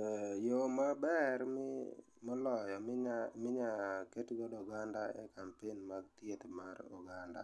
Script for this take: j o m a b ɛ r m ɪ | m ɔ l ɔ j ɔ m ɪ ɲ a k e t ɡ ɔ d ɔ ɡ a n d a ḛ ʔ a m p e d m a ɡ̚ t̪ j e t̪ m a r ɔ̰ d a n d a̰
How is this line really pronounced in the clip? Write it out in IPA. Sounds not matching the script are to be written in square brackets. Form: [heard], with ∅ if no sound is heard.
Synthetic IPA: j o m a b ɛ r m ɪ | m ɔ l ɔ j ɔ m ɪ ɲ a k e t ɡ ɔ d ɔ ɡ a n d a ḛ [k] a m p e [n] m a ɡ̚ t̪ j e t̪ m a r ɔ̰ [ɡ] a n d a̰